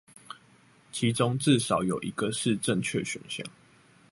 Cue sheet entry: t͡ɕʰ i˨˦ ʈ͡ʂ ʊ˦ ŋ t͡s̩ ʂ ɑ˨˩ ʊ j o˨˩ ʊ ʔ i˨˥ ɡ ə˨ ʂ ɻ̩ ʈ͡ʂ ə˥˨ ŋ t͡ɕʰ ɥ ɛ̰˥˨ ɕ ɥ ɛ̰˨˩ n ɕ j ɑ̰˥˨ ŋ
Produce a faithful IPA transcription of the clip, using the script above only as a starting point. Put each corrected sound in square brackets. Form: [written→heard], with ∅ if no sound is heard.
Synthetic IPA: t͡ɕʰ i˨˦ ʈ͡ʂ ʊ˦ ŋ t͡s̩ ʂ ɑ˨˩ ʊ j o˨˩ ʊ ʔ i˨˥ ɡ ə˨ ʂ ɻ̩ ʈ͡ʂ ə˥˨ ŋ t͡ɕʰ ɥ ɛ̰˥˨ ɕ ɥ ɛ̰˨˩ n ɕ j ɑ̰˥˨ ŋ